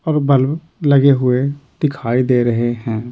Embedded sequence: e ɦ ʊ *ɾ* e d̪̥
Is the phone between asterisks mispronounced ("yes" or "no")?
yes